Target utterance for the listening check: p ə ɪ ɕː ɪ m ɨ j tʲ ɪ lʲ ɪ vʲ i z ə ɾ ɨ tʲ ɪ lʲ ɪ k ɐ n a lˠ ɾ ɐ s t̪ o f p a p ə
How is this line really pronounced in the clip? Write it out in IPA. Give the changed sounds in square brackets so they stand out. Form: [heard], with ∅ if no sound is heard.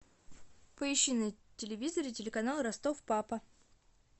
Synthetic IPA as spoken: p ə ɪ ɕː ɪ [n] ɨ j tʲ ɪ lʲ ɪ vʲ i z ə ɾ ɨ tʲ ɪ lʲ ɪ k ɐ n a lˠ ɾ ɐ s t̪ o f p a p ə